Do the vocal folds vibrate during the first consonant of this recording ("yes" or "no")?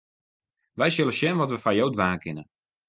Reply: yes